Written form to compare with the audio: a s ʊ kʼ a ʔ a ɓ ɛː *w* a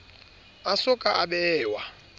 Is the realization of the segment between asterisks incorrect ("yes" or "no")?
no